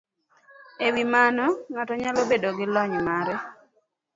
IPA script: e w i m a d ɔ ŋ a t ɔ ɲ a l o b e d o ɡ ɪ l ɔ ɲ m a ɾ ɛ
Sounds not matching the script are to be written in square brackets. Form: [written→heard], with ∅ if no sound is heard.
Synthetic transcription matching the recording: e w i m a [d→n] ɔ ŋ a t ɔ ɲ a l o b e d o ɡ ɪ l ɔ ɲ m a ɾ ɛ